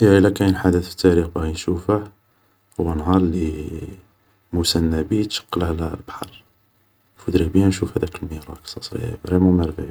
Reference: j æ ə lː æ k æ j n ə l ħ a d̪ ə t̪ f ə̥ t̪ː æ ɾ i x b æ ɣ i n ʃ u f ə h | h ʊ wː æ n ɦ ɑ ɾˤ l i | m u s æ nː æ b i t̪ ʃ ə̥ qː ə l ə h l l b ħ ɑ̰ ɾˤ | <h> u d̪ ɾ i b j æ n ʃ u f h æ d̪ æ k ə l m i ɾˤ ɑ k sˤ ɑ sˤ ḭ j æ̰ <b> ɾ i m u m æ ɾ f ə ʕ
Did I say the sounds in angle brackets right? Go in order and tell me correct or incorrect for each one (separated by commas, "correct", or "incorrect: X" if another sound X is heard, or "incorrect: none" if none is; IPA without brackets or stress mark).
incorrect: f, correct